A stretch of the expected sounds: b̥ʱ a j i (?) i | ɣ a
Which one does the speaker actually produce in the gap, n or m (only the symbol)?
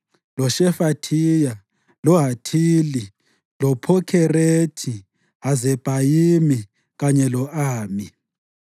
m